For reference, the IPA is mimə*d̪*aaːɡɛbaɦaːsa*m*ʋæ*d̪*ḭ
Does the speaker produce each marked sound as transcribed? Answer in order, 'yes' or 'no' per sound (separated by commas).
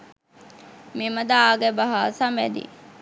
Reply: yes, yes, yes